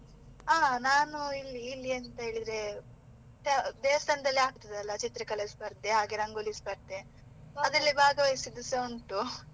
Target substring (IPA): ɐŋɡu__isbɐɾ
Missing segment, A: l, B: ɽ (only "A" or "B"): A